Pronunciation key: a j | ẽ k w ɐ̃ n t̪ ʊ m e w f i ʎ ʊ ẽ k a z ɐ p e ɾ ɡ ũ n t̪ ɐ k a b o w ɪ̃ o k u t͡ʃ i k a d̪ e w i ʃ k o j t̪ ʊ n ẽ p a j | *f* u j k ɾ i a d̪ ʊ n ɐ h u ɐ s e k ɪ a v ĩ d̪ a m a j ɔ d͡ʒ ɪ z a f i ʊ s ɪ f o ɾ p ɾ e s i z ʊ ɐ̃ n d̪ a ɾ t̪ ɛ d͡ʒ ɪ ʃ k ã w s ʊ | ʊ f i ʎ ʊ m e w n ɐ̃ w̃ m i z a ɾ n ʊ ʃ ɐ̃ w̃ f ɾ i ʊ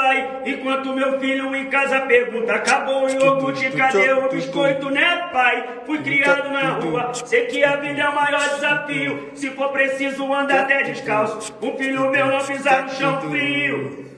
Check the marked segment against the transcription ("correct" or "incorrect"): correct